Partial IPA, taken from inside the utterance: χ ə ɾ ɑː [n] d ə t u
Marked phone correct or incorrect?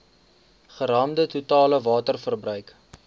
incorrect: m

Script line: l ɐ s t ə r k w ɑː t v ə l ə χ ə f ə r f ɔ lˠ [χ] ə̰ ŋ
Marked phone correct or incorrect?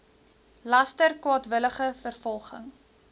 correct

